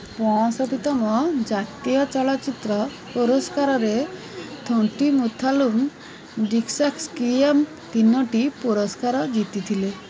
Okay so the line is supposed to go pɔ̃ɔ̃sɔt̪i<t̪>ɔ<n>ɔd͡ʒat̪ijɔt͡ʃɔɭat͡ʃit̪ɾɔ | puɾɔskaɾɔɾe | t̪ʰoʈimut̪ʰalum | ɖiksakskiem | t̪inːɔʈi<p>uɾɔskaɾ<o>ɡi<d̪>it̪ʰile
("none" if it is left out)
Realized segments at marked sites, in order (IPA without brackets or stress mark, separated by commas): t̪, m, p, ɔ, t̪